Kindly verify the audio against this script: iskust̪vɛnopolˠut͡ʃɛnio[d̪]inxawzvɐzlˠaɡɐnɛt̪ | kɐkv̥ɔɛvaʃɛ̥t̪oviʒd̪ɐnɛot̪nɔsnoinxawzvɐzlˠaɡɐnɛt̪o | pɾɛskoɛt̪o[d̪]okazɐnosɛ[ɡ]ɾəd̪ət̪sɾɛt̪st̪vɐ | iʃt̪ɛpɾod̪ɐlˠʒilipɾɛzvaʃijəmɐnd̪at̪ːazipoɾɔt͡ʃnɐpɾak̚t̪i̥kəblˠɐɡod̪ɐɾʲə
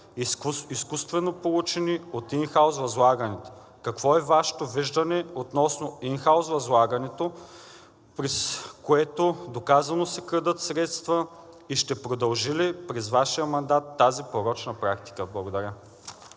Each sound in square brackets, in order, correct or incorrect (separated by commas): incorrect, correct, incorrect